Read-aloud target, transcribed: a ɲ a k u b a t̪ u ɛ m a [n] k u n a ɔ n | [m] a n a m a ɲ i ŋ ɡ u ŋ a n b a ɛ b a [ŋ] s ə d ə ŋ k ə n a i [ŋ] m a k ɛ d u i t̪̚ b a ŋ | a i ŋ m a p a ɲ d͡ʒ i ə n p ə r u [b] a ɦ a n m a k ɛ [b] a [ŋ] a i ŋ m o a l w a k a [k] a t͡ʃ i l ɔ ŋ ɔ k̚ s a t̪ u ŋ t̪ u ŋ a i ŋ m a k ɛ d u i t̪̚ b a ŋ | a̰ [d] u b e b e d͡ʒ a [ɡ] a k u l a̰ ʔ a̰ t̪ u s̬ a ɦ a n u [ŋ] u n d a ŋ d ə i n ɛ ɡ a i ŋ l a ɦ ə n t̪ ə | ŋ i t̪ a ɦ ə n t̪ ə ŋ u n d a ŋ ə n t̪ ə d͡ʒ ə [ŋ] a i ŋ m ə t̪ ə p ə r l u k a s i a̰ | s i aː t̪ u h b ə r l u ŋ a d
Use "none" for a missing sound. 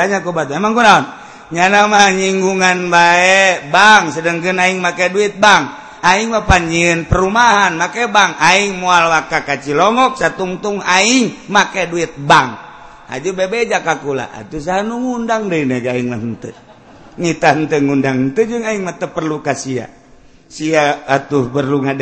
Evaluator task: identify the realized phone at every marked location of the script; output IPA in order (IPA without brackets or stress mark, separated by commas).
ŋ, ɲ, ŋ, ŋ, m, b, ŋ, k, d͡ʒ, k, ŋ, ŋ